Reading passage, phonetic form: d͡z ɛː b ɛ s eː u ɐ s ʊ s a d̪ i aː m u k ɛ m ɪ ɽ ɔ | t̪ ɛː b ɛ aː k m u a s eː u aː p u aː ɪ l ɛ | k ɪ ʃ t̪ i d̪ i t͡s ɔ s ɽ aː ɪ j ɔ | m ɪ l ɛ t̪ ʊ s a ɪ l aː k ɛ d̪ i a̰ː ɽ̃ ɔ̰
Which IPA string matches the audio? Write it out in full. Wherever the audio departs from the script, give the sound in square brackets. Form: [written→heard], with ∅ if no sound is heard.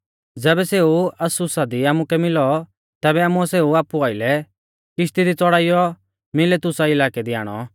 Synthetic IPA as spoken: d͡z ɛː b ɛ s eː u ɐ s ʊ s a d̪ i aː m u k ɛ m ɪ [ɽ→l] ɔ | t̪ ɛː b ɛ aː [k→∅] m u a s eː u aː p u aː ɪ l ɛ | k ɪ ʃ t̪ i d̪ i t͡s ɔ [s→∅] ɽ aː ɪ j ɔ | m ɪ l ɛ t̪ ʊ s a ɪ l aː k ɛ d̪ i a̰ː ɽ̃ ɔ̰